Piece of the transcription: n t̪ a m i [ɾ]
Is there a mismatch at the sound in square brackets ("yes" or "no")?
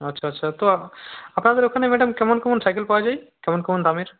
no